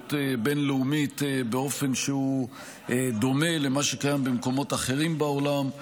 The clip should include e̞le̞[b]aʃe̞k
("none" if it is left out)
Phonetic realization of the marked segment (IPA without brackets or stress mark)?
m